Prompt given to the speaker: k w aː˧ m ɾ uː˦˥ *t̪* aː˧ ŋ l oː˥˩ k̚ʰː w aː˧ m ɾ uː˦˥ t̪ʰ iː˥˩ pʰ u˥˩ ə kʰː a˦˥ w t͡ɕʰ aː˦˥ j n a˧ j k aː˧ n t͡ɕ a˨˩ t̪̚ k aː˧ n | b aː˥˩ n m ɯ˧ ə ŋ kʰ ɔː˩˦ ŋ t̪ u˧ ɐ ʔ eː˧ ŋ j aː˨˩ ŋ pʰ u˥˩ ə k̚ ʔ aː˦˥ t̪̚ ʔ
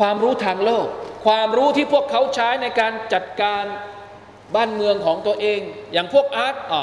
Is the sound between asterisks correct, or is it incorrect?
incorrect